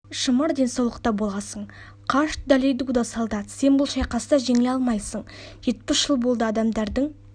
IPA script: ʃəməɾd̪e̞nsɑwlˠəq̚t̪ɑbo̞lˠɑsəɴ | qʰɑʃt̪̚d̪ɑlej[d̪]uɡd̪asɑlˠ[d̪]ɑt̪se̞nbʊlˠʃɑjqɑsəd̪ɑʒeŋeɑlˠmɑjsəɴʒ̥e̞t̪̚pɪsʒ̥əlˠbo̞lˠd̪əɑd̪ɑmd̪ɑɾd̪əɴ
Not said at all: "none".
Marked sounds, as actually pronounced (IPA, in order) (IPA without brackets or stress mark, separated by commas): d̪, d̪